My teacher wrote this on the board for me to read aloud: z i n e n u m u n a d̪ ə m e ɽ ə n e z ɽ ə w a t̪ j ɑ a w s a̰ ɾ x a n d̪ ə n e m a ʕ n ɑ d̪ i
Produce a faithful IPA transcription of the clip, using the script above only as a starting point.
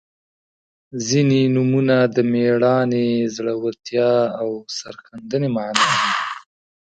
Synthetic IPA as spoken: z i n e n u m u n a d̪ ə m e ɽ ɑ n e z ɽ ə w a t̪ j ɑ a w s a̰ ɾ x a n d̪ ə n e m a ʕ n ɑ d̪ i